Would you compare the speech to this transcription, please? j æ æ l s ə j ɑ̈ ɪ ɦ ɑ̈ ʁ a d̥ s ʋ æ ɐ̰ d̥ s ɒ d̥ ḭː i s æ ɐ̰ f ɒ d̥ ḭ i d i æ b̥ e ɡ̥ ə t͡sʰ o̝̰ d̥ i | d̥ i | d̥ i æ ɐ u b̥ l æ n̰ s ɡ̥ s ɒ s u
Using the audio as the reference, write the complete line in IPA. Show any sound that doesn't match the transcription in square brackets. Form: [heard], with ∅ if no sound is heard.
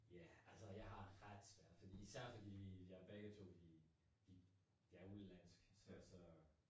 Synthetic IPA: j æ æ l s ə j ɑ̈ ɪ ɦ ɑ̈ ʁ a d̥ s ʋ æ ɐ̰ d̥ [f] ɒ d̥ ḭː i s æ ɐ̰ f ɒ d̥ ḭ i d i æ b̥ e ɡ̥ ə t͡sʰ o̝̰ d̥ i | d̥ i | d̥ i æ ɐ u [∅] l æ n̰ s ɡ̥ s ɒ s [ɒ]